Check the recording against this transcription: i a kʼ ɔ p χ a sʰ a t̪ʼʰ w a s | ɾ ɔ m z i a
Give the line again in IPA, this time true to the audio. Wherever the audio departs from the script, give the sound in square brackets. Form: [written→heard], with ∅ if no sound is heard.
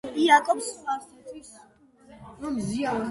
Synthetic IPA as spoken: i a kʼ ɔ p [χ→s] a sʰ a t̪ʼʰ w [a→i] s | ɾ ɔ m z i a